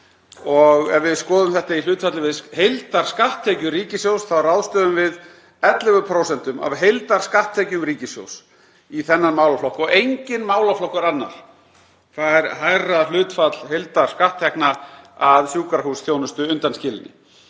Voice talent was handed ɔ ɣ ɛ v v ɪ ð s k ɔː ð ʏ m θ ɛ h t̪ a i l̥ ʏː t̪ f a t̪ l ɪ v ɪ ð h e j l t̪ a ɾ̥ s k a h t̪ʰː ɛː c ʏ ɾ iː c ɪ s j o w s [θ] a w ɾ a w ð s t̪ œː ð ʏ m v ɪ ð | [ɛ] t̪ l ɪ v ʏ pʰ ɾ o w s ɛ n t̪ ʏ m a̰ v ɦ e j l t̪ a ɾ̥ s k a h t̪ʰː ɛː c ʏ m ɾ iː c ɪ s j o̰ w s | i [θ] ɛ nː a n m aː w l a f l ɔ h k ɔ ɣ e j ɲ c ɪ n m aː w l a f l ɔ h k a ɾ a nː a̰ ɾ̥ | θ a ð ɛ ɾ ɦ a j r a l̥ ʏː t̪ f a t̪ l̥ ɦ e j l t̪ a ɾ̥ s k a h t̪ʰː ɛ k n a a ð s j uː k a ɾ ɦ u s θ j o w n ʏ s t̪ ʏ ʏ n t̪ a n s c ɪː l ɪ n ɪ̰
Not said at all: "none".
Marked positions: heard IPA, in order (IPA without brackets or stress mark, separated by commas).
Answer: θ, ɛ, θ